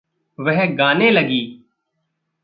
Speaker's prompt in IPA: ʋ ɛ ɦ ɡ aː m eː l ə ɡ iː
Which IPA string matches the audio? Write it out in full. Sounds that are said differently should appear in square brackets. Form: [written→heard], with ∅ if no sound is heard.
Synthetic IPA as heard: ʋ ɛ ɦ ɡ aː [m→n] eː l ə ɡ iː